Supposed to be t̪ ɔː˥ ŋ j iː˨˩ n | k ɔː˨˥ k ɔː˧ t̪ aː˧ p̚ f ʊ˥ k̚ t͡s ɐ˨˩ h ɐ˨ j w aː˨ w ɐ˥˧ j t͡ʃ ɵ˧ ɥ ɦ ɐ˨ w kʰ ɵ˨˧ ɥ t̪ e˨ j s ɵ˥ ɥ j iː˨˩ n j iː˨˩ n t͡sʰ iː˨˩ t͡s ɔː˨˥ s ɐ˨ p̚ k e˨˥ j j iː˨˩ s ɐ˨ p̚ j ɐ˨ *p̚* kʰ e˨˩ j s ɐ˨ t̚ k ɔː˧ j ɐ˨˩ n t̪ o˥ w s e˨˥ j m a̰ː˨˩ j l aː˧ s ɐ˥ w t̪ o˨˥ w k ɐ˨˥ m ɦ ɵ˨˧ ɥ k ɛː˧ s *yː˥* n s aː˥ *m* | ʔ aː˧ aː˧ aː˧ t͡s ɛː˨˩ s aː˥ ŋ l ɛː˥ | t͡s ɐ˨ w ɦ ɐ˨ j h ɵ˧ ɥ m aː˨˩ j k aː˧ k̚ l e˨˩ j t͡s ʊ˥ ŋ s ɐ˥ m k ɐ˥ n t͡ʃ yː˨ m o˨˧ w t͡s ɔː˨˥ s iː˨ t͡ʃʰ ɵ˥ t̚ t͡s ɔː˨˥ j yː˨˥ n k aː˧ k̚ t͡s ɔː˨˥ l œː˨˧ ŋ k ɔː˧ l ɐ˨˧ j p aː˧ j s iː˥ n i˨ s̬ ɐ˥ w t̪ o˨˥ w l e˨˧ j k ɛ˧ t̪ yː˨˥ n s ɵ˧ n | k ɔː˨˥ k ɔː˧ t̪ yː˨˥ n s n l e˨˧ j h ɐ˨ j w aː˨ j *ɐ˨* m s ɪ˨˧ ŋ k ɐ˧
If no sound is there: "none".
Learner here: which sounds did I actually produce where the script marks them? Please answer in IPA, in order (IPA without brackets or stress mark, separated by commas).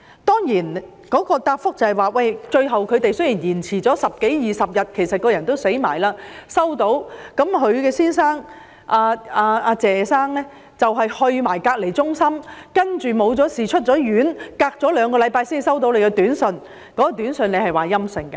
t̚, iː˥, ŋ, ɐ˥